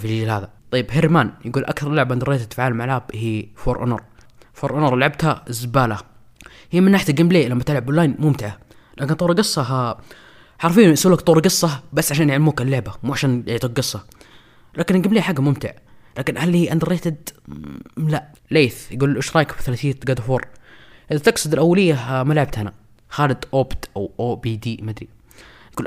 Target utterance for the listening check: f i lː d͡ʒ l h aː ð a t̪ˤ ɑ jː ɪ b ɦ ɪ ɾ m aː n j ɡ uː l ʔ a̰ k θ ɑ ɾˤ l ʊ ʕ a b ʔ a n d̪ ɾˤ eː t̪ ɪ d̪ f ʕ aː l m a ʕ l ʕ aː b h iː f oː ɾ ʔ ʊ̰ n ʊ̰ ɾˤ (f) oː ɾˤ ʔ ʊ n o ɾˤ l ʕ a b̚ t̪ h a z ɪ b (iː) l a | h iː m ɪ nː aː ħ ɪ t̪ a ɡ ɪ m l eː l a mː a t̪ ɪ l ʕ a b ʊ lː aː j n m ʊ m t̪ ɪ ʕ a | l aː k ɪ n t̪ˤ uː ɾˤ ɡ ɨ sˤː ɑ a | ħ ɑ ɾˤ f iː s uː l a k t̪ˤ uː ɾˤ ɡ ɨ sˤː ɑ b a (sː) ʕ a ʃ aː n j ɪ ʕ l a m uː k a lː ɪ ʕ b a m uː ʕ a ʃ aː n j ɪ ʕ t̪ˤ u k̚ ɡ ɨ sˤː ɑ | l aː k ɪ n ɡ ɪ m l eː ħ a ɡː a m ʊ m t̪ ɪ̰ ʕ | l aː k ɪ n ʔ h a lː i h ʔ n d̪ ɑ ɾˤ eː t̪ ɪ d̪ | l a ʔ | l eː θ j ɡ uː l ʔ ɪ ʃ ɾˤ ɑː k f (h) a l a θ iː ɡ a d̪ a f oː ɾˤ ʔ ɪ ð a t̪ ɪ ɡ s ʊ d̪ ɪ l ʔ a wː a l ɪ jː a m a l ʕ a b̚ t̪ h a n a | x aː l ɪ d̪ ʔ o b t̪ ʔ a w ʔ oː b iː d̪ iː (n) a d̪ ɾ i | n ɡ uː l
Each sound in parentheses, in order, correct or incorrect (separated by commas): correct, incorrect, correct, incorrect, incorrect